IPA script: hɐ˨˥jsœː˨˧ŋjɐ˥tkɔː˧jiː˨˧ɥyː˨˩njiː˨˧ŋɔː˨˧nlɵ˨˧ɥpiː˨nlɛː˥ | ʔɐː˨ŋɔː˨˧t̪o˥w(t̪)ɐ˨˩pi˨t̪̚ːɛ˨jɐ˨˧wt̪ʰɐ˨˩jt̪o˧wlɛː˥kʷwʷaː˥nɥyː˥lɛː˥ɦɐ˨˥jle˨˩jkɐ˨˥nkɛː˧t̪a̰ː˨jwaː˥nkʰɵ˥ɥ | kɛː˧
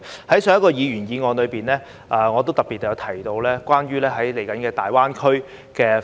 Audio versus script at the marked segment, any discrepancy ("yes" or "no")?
no